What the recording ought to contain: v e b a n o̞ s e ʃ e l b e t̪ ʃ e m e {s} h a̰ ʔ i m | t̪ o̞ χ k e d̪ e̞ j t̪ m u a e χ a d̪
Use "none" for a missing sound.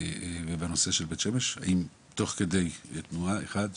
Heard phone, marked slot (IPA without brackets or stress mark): ʃ